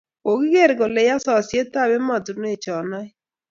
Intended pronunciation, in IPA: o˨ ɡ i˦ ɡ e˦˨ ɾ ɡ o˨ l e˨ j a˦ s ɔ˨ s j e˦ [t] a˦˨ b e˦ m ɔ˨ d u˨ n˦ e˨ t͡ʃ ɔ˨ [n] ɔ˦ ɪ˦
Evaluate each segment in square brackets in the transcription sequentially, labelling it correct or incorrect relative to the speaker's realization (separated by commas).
correct, correct